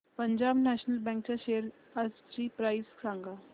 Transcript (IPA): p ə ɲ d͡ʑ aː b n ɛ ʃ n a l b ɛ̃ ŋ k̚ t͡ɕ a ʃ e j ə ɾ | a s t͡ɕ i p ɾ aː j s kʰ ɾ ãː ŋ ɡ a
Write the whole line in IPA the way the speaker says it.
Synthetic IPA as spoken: p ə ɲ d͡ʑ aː b n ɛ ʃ n ə l b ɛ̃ ŋ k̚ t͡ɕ a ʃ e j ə ɾ | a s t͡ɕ i p ɾ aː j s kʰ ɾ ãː ŋ ɡ a